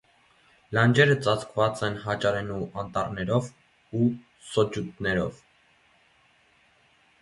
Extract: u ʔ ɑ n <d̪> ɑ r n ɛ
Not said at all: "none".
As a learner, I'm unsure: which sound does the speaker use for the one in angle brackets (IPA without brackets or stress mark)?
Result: t̪